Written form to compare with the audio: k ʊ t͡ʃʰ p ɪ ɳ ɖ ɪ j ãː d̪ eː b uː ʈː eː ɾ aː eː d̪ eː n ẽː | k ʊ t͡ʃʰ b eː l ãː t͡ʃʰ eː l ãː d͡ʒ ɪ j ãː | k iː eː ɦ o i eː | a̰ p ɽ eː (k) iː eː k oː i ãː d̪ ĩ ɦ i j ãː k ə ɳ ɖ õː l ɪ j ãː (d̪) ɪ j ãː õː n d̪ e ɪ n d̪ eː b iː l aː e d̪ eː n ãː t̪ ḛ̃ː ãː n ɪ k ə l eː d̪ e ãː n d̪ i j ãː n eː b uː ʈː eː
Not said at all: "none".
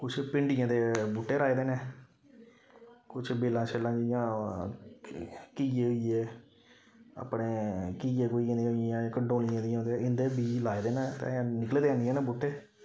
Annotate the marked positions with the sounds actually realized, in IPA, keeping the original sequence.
k, d̪

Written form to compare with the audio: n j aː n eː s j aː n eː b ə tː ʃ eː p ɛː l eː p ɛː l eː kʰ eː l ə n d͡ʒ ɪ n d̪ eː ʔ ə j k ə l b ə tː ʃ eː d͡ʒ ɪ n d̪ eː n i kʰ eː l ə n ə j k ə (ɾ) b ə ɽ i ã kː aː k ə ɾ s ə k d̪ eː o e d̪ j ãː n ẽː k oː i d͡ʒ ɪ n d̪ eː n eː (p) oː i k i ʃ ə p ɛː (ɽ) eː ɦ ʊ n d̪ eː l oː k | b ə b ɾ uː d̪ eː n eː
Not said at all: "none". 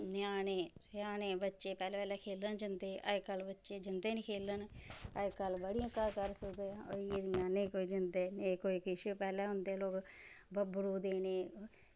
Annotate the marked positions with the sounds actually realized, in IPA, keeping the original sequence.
l, k, l

